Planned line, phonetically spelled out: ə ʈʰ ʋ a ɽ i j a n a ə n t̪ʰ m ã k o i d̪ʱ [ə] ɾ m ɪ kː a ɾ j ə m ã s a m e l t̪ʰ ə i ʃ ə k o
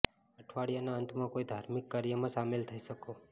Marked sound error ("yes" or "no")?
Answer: yes